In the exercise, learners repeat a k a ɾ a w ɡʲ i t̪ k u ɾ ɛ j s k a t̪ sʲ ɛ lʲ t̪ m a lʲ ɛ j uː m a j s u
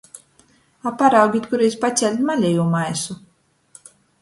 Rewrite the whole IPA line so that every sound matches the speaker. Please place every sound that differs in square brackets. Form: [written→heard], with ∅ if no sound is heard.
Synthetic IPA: a [k→p] a ɾ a w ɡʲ i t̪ k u ɾ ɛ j s [k→p] a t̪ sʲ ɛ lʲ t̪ m a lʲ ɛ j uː m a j s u